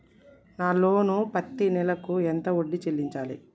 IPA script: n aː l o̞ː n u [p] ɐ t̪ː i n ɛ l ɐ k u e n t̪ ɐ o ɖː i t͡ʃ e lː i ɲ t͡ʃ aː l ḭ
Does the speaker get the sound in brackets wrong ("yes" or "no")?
no